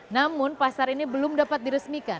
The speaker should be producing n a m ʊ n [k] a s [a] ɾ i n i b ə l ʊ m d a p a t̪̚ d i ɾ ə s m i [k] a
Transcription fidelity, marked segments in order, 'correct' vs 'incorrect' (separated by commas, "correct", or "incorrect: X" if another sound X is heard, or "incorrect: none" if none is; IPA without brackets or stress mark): incorrect: p, correct, correct